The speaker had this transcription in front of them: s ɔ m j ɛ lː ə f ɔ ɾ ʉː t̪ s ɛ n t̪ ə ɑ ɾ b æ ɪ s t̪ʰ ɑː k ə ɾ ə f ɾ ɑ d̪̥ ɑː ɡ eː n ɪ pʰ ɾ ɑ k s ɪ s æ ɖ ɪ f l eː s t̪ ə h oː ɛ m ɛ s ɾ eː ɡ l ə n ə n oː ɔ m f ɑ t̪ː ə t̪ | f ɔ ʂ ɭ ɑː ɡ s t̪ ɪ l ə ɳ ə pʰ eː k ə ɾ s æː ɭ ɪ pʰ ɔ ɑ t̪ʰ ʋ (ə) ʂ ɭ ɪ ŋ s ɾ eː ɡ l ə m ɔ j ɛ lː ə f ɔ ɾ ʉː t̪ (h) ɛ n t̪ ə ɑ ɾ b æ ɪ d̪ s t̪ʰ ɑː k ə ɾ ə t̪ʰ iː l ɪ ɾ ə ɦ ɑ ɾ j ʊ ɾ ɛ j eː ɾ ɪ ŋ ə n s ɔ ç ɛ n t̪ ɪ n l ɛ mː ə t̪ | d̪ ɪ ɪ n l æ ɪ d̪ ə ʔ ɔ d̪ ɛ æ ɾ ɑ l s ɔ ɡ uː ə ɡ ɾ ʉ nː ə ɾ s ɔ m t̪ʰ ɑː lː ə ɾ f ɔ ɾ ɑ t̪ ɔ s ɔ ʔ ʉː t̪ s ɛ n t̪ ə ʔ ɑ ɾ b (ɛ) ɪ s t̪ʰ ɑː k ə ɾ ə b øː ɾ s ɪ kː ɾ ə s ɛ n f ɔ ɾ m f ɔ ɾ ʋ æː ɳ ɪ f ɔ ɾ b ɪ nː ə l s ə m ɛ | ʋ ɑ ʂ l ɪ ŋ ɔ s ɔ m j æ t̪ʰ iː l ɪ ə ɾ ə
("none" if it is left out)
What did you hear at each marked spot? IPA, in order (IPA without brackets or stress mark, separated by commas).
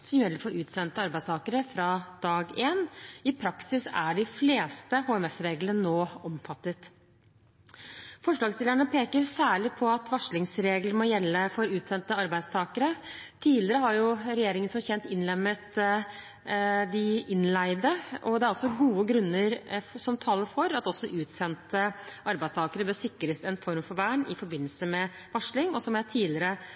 ɑ, s, æ